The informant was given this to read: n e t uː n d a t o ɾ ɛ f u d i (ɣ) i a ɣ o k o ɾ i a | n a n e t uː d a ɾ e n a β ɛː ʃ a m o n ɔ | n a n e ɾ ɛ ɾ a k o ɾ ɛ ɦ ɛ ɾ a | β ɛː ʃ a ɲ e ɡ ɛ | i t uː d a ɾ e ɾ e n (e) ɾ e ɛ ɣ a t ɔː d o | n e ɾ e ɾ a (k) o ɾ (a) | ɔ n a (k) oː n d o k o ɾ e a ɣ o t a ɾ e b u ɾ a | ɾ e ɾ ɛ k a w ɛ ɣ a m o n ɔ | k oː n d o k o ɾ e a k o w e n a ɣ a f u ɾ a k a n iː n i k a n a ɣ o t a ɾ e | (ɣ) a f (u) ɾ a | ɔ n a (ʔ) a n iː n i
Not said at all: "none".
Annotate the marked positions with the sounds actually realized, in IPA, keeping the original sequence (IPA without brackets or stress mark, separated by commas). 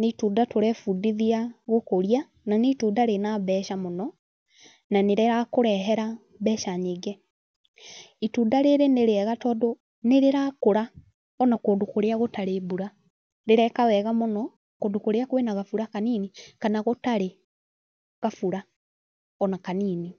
ð, e, k, a, k, ɣ, u, k